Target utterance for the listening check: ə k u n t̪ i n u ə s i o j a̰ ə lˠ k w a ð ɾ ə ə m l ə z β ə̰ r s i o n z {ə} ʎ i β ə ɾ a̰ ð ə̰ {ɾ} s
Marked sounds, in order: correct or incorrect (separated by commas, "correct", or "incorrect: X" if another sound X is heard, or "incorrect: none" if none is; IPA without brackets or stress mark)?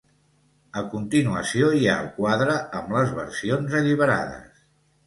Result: correct, incorrect: none